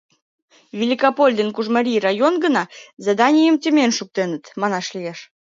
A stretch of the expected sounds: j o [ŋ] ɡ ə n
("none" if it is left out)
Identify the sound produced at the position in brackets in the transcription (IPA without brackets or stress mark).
n